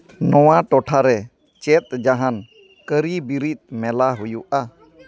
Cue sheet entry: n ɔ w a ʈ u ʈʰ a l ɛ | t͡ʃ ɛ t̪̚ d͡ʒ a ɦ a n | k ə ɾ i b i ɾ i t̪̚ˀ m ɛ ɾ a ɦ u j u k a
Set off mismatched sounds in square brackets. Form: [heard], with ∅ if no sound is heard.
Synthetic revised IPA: n ɔ w a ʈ [ɔ] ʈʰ a [ɾ] ɛ | t͡ʃ ɛ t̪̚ d͡ʒ a ɦ a n | k ə ɾ i b i ɾ i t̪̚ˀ m ɛ [l] a ɦ u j u [ʔ] a

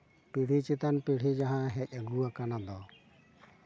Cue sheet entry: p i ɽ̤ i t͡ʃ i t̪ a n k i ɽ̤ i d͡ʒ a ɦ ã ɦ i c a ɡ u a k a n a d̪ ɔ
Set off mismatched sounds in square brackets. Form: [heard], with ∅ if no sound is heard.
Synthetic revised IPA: p i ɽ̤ i t͡ʃ i t̪ a n [p] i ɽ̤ i d͡ʒ a ɦ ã ɦ [ɛ] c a ɡ u a k a n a d̪ ɔ

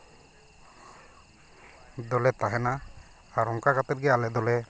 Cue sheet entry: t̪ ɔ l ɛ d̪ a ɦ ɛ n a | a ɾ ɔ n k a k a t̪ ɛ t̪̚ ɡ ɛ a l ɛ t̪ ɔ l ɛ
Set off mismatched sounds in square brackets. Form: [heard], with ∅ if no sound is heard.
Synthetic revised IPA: [d̪] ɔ l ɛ [t̪] a ɦ ɛ n a | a ɾ ɔ [ŋ] k a k a t̪ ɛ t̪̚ ɡ ɛ a l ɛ [d̪] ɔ l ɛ

